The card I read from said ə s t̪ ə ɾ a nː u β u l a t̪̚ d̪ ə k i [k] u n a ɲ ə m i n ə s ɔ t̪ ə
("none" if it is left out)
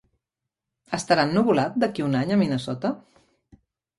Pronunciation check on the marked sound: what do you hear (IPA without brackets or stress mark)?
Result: none